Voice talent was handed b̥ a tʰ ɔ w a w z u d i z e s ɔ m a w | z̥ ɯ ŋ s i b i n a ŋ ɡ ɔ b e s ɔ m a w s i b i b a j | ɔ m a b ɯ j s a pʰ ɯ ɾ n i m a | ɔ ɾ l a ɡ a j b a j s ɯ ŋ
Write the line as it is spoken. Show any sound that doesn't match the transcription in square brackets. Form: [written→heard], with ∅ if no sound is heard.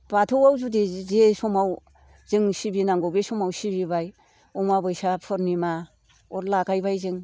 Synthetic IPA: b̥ a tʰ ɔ w a w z u d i z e s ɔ m a w | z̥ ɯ ŋ s i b i n a ŋ ɡ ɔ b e s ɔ m a w s i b i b a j | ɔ m a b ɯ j s a pʰ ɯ ɾ n i m a | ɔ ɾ l a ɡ a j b a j [s→z] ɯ ŋ